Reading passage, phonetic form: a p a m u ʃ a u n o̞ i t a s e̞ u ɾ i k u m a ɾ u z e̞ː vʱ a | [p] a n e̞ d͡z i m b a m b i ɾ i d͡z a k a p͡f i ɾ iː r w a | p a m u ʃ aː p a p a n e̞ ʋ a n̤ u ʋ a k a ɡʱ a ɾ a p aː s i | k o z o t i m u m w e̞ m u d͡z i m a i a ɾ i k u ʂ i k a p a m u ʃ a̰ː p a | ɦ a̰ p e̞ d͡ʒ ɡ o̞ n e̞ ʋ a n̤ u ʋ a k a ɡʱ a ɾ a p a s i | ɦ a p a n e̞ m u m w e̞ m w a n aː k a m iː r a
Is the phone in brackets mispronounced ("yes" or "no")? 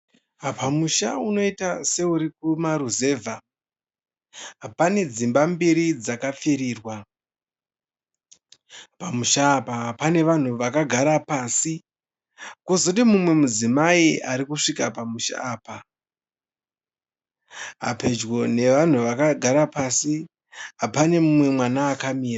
no